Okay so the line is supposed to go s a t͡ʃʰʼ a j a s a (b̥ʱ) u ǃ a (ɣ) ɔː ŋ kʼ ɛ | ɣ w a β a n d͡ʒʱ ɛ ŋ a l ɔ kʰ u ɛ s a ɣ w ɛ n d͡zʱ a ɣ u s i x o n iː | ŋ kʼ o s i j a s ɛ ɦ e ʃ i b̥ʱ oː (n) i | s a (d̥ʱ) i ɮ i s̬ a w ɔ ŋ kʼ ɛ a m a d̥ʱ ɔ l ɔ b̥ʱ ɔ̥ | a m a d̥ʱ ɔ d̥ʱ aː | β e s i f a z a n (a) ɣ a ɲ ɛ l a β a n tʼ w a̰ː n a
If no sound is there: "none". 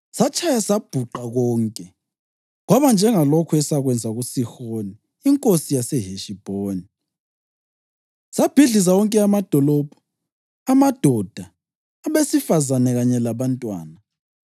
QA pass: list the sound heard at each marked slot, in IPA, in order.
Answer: b̥ʱ, ɣ, n, b̥ʱ, ɛ

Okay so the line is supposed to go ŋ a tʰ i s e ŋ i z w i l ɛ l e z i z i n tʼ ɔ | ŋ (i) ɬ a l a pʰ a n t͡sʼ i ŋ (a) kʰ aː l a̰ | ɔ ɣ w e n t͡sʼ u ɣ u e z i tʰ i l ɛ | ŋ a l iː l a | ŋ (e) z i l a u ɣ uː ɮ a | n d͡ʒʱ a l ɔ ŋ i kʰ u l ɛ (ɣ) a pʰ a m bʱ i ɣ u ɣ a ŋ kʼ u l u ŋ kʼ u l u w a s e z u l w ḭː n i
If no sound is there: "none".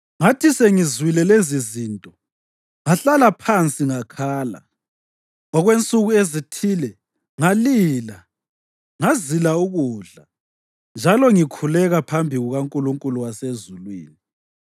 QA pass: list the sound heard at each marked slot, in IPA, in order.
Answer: a, a, a, ɣ

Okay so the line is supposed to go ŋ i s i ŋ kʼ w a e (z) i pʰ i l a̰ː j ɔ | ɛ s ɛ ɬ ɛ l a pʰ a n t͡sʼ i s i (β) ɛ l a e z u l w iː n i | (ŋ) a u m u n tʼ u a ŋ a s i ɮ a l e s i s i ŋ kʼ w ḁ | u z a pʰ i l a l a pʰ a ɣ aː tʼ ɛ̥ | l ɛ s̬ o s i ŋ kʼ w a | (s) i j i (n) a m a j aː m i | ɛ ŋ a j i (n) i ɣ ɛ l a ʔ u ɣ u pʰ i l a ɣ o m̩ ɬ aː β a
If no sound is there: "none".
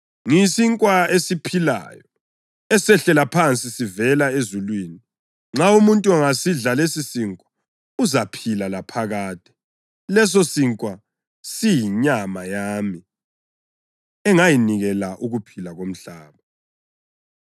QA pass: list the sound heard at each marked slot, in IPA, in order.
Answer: s, v, ŋ͡ǁ, s, ɲ, n

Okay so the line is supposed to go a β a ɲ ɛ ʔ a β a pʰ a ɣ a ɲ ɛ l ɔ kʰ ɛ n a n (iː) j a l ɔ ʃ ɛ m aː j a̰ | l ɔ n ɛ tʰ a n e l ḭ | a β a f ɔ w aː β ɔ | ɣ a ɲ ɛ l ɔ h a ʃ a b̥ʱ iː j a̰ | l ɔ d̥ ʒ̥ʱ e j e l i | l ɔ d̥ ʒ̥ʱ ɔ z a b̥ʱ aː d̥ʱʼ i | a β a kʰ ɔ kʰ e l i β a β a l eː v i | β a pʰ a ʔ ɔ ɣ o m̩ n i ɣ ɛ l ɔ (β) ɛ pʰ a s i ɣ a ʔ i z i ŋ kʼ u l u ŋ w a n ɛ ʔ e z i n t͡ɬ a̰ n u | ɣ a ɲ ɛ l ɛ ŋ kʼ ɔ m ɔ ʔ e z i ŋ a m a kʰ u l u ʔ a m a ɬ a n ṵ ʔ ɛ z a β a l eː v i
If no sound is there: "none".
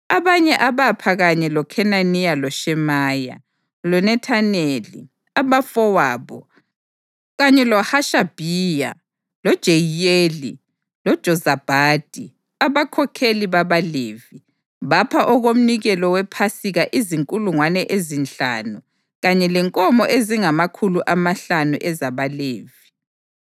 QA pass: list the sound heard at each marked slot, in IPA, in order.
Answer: i, w

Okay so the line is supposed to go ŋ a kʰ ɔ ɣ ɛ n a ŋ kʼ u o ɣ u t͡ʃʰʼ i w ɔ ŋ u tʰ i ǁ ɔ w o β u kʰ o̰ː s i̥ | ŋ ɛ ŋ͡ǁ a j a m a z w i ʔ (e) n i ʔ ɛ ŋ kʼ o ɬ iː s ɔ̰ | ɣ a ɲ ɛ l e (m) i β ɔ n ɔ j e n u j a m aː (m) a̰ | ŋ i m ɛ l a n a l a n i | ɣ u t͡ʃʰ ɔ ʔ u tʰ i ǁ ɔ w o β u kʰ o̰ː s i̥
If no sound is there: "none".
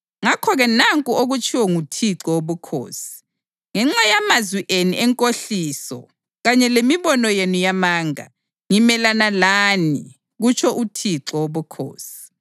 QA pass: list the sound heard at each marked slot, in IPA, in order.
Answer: e, m, ŋ

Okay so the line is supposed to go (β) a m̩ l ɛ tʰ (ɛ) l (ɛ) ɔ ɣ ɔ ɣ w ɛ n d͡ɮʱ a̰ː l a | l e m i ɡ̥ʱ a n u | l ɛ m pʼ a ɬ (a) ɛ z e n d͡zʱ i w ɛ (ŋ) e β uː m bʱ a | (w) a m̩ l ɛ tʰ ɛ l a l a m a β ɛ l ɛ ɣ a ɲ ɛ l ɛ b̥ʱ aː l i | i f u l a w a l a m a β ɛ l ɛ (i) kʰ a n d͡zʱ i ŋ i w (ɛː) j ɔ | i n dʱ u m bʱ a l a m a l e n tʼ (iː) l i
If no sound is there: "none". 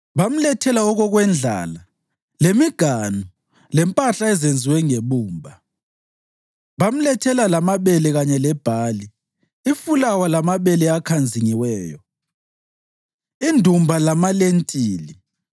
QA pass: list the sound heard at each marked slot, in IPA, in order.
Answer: β, ɛ, a, a, ŋ, β, a, ɛː, iː

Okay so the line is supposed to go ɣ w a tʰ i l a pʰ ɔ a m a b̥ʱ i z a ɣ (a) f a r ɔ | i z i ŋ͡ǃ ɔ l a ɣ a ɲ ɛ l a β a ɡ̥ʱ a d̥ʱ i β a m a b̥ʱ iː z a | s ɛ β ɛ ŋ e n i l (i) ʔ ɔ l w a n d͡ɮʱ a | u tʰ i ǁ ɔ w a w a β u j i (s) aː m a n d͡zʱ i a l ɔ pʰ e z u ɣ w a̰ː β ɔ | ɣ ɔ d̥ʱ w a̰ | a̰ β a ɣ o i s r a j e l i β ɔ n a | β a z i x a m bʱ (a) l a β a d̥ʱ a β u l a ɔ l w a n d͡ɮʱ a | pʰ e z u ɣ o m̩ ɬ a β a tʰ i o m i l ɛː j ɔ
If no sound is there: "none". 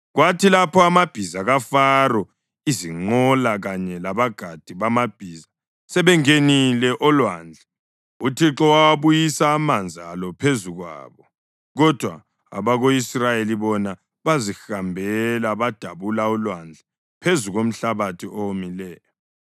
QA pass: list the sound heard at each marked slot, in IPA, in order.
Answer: a, ɛ, s, ɛ

